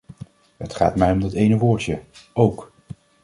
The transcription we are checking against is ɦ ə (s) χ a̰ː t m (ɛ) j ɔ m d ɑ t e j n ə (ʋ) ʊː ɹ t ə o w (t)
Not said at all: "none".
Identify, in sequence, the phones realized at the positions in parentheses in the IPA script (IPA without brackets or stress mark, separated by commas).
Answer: t, ɛ, ʋ, k